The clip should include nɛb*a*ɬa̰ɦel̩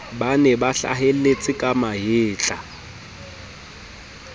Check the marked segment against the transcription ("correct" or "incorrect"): correct